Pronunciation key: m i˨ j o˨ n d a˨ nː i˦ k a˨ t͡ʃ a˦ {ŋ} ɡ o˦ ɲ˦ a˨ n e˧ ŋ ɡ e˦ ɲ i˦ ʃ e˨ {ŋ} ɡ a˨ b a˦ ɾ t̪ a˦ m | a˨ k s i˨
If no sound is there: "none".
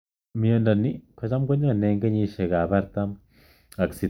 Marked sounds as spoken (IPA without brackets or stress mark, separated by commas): m, none